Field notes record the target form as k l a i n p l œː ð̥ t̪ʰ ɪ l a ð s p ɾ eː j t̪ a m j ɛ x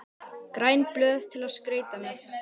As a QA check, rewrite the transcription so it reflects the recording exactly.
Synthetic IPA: k ɾ a j n p l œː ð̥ t̪ʰ ɪ l a ð s k ɾ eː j t̪ a m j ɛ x